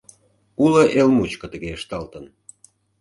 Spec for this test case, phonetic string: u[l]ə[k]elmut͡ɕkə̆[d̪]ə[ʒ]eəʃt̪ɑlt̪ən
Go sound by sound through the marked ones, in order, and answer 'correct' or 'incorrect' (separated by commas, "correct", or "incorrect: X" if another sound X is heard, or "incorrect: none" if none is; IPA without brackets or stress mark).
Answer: correct, incorrect: ʔ, incorrect: t̪, incorrect: ɣ